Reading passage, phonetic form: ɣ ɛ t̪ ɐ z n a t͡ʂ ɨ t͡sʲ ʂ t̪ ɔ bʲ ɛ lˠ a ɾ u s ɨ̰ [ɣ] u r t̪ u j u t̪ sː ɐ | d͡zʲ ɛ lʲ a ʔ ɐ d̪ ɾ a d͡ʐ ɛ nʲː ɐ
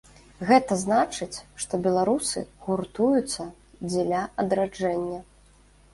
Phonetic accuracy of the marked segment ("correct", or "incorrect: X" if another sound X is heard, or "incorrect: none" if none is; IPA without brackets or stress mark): correct